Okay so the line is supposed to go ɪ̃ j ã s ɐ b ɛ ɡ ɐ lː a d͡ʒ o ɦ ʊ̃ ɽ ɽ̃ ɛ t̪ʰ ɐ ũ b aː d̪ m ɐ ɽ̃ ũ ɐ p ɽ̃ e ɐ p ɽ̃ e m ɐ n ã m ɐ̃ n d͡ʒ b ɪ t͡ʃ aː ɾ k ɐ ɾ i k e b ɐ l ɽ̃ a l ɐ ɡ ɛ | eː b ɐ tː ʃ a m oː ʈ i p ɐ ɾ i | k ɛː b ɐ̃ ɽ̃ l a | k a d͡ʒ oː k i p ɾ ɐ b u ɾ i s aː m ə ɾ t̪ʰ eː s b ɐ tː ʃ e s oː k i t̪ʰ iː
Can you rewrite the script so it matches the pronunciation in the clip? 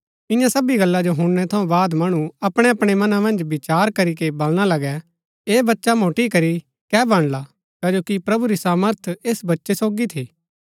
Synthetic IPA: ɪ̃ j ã s ɐ b i ɡ ɐ lː a d͡ʒ o ɦ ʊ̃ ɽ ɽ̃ ɛ t̪ʰ ɐ ũ b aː d̪ m ɐ ɽ̃ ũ ɐ p ɽ̃ e ɐ p ɽ̃ e m ɐ n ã m ɐ̃ n d͡ʒ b ɪ t͡ʃ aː ɾ k ɐ ɾ i k e b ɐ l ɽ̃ a l ɐ ɡ ɛ | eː b ɐ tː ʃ a m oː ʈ i k ɐ ɾ i | k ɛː b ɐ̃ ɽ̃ l a | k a d͡ʒ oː k i p ɾ ɐ b u ɾ i s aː m ə ɾ t̪ʰ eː s b ɐ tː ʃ e s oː ɡ i t̪ʰ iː